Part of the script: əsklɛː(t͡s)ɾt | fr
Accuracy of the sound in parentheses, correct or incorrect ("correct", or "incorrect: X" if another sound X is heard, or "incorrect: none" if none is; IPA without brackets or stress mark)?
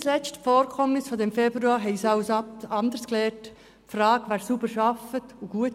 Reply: incorrect: none